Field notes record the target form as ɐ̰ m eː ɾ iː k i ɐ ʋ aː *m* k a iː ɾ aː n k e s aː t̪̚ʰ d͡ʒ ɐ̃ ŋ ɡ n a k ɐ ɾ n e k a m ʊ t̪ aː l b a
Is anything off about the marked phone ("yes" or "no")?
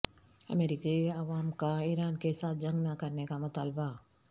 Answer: no